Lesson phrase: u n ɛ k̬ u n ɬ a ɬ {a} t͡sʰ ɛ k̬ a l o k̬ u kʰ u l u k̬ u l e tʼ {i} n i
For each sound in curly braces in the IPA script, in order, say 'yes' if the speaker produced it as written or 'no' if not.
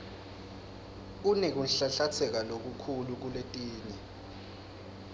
yes, no

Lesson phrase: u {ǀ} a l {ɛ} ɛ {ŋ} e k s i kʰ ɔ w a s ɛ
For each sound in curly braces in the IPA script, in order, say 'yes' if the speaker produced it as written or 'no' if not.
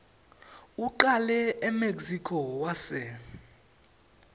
no, yes, no

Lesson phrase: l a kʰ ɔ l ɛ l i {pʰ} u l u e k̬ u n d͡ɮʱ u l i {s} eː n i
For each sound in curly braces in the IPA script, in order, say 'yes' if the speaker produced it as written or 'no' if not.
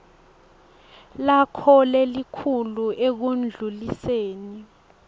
no, yes

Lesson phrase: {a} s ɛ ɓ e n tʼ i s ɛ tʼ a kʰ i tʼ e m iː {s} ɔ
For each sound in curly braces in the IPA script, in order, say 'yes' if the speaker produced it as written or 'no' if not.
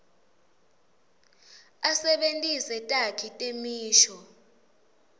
yes, no

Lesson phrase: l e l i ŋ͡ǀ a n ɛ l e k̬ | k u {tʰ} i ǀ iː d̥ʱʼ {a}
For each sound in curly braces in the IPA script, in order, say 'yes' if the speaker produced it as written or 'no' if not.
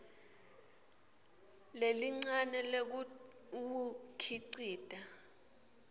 no, yes

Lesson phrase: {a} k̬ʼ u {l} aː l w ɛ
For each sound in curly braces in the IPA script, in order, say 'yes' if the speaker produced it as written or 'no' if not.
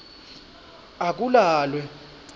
yes, yes

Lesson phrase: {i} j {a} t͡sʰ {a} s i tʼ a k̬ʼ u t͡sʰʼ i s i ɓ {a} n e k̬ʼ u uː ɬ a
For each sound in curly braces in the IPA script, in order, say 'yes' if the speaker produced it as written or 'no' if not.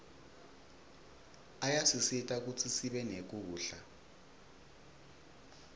no, yes, no, no

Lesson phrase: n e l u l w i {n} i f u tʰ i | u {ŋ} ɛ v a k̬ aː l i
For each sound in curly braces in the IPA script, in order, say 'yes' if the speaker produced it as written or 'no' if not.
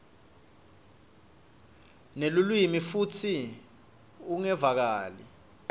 no, yes

